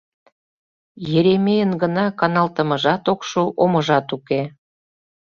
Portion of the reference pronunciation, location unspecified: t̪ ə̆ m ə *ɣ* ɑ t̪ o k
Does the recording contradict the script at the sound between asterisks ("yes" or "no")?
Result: yes